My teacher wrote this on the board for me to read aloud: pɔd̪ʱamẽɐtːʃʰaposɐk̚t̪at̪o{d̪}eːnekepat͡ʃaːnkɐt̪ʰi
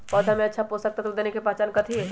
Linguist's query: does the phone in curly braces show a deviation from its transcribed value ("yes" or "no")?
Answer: no